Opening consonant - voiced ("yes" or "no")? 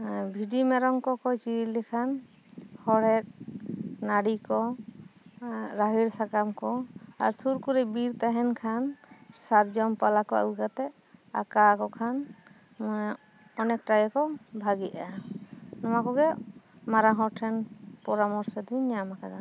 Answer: yes